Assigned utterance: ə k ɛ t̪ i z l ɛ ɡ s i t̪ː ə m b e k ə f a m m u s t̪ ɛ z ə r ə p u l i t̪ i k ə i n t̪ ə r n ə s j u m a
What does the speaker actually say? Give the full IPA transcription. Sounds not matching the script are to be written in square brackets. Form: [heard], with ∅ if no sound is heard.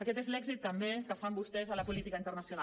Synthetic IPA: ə k ɛ t̪ [e] z l ɛ ɡ [z] i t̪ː ə m b e k ə f a m [b] u s t̪ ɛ z ə [l] ə p u l i t̪ i k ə i n t̪ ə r n ə s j u [n] a